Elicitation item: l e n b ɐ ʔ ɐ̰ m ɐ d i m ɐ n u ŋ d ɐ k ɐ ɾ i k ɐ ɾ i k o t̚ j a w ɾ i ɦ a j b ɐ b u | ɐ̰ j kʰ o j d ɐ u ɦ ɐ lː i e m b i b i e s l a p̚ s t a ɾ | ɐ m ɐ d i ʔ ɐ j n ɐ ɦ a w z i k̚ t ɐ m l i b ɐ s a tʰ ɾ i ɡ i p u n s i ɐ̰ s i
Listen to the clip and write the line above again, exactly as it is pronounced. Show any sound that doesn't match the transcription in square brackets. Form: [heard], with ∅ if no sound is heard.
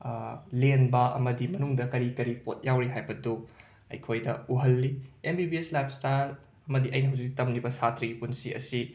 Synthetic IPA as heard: l e n b ɐ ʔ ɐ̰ m ɐ d i m ɐ n u ŋ d ɐ k ɐ ɾ i k ɐ ɾ i [p] o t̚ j a w ɾ i ɦ a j b ɐ [d] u | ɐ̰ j kʰ o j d ɐ u ɦ ɐ lː i e m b i b i e s l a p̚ s t a ɾ | ɐ m ɐ d i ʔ ɐ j n ɐ ɦ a w z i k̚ t ɐ m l i b ɐ s a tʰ ɾ i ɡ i p u n s i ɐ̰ s i